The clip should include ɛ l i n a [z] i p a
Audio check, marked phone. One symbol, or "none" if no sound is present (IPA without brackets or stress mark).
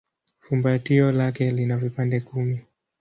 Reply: v